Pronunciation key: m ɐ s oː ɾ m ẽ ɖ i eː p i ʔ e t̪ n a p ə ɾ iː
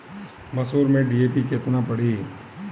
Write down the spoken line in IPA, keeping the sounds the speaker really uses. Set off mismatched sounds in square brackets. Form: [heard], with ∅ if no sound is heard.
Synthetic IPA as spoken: m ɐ s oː ɾ m ẽ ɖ i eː p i [k] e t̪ n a p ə [ɽ] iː